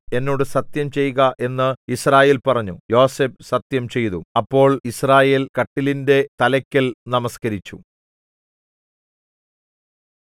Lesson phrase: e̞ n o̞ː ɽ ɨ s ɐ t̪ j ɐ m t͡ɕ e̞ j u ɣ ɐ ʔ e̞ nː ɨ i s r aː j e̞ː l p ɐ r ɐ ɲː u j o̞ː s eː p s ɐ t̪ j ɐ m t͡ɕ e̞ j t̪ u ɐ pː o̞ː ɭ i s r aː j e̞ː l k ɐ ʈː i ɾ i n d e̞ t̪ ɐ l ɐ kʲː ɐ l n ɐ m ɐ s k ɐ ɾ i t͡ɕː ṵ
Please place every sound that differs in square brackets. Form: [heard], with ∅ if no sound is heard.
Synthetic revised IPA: e̞ [nː] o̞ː ɽ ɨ s ɐ t̪ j ɐ m t͡ɕ e̞ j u ɣ ɐ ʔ e̞ nː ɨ i s r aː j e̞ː l p ɐ r ɐ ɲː u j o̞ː s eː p s ɐ t̪ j ɐ m t͡ɕ e̞ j t̪ u ɐ pː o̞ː ɭ i s r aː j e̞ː l k ɐ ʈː i [l] i n d e̞ t̪ ɐ l ɐ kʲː ɐ l n ɐ m ɐ s k ɐ ɾ i t͡ɕː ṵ